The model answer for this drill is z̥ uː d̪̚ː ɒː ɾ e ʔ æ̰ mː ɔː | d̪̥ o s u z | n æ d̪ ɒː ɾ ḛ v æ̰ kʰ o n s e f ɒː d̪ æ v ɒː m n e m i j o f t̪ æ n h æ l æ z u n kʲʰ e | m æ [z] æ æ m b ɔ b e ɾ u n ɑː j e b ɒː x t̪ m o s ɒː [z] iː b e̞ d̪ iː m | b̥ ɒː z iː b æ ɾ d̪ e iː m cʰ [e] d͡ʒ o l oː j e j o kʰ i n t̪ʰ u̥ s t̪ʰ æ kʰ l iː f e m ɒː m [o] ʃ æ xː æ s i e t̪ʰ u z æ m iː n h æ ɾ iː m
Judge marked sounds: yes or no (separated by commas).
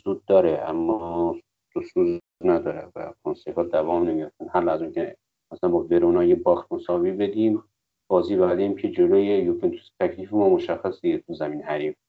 no, no, yes, yes